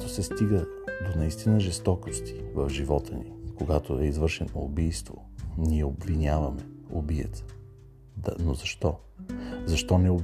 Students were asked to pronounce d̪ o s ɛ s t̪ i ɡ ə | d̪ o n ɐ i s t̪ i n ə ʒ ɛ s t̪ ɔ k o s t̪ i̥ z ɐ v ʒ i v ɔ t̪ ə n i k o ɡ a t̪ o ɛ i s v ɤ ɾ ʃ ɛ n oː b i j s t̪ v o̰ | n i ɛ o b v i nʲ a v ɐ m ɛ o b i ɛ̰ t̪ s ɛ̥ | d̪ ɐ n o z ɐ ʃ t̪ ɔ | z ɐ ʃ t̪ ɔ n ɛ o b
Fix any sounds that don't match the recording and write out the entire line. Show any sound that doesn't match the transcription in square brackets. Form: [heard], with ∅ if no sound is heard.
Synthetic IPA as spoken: [t̪] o s ɛ s t̪ i ɡ ə | d̪ o n ɐ i s t̪ i n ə ʒ ɛ s t̪ ɔ k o s t̪ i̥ [v] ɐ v ʒ i v ɔ t̪ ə n i k o ɡ a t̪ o ɛ i [z] v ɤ ɾ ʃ ɛ n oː b i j s t̪ v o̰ | n i ɛ o b v i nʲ a v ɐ m ɛ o b i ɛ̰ t̪ s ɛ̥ | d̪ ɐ n o z ɐ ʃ t̪ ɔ | z ɐ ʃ t̪ ɔ n ɛ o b